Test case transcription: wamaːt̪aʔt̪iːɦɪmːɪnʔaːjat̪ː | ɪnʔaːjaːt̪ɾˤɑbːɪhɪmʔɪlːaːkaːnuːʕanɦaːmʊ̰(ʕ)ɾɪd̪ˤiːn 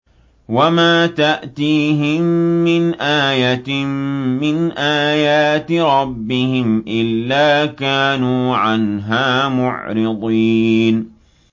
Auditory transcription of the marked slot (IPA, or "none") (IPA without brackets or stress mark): ʕ